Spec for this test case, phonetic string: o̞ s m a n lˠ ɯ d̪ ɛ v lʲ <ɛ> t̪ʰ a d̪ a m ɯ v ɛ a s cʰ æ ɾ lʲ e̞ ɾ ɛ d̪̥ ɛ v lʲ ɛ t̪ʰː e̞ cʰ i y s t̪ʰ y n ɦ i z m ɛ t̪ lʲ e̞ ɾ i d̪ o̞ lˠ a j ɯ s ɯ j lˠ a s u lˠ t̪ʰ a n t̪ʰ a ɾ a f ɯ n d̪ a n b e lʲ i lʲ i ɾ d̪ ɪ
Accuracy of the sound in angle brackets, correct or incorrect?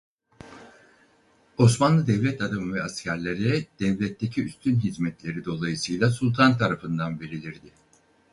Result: correct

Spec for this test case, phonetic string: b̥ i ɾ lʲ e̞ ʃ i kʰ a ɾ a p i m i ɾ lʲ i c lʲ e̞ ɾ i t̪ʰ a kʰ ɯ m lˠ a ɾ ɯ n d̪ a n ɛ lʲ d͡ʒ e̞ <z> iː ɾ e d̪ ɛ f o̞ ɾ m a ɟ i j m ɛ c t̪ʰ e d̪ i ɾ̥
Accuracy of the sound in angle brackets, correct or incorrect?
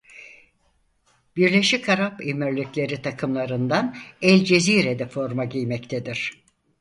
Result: correct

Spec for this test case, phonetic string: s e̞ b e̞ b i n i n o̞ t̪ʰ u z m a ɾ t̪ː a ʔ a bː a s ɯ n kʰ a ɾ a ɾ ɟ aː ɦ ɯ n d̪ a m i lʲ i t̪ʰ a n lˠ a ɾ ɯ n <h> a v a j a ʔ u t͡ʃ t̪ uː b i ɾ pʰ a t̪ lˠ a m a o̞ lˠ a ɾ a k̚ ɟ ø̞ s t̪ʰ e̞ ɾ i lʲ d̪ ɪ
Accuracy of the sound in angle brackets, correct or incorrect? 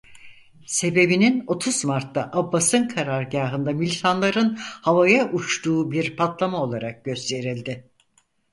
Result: correct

